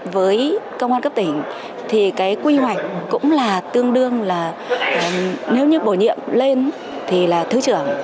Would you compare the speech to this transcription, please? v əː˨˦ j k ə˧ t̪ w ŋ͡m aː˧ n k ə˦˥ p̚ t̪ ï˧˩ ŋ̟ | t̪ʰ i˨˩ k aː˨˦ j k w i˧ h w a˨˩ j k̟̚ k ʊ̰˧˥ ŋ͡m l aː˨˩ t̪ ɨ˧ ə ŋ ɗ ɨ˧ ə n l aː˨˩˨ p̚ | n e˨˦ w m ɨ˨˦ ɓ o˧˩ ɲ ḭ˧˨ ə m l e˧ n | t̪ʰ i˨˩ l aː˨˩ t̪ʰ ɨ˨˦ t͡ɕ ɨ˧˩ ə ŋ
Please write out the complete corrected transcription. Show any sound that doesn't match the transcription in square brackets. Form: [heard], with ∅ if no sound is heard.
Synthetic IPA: v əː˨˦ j k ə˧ [∅] w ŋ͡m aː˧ n k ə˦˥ p̚ t̪ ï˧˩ ŋ̟ | t̪ʰ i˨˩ k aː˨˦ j k w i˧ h w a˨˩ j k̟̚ k ʊ̰˧˥ ŋ͡m l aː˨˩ t̪ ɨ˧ ə ŋ ɗ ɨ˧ ə [ŋ] l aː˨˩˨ [∅] | n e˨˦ w [ɲ] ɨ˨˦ ɓ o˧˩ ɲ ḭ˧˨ ə m l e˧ n | t̪ʰ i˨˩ l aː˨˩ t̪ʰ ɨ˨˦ t͡ɕ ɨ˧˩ ə ŋ